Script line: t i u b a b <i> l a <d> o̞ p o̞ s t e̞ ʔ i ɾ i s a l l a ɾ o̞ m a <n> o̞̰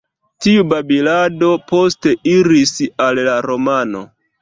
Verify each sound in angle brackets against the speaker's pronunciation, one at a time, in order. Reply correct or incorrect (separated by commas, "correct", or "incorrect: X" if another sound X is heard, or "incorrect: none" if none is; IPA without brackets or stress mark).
correct, correct, correct